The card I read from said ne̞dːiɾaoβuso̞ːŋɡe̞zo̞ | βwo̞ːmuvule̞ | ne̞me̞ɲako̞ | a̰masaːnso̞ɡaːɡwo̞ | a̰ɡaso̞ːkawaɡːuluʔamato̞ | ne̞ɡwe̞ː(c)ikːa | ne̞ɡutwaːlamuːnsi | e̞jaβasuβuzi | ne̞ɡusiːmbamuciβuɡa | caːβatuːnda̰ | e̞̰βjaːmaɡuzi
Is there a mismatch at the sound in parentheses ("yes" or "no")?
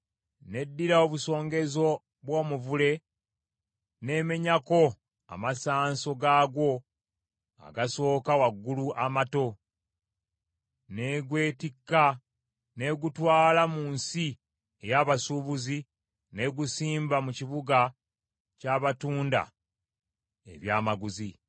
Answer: yes